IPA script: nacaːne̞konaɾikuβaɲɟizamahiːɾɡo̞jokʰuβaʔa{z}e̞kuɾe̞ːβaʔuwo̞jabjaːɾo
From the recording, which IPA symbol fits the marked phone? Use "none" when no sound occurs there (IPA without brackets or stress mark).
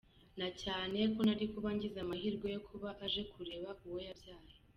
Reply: ʒ